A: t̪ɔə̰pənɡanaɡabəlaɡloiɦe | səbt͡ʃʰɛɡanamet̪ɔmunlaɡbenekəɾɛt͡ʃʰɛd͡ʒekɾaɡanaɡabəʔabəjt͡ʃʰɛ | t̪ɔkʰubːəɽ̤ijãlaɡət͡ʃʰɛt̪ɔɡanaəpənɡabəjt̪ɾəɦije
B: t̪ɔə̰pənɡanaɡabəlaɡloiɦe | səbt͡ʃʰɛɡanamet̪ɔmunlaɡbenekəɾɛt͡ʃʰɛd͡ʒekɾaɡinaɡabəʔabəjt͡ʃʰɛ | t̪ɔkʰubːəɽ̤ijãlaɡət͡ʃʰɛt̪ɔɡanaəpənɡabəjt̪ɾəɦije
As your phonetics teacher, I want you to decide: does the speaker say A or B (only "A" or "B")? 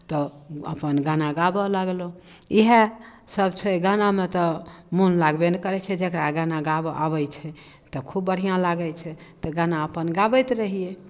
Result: A